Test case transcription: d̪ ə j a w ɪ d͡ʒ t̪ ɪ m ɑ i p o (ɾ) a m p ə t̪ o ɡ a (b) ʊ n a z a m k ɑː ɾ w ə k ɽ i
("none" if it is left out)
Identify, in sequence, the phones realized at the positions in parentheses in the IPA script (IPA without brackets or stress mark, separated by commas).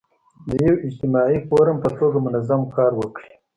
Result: ɾ, m